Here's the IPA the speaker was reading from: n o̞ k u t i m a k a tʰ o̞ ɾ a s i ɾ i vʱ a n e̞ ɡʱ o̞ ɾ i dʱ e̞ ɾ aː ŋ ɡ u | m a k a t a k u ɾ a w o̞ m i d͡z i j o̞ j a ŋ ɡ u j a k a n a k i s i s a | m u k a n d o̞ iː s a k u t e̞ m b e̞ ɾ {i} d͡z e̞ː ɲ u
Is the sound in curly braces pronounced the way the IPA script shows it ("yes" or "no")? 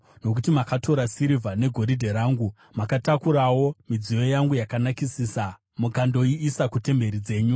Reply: yes